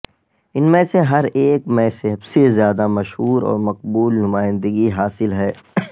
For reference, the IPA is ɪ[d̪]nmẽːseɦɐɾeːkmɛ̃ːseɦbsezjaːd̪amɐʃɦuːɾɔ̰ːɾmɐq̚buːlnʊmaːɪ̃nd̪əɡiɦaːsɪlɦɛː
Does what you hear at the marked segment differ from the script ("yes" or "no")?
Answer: yes